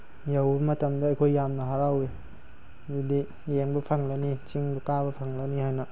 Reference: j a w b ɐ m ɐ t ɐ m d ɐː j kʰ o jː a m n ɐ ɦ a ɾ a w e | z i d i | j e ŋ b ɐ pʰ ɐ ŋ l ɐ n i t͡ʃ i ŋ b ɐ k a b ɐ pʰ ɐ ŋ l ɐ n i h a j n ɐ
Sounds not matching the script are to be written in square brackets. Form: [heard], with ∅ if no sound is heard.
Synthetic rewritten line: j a w b ɐ m ɐ t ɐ m d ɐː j kʰ o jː a m n ɐ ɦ a ɾ a w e | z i d i | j e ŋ b ɐ pʰ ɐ ŋ l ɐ n i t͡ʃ i ŋ b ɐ k a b ɐ pʰ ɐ ŋ l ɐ n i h a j n ɐ